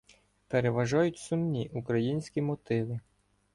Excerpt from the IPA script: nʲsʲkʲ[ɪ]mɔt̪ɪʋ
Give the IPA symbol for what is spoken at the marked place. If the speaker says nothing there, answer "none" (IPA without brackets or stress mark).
i